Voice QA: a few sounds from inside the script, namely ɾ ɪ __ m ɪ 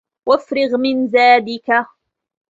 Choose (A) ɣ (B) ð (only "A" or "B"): A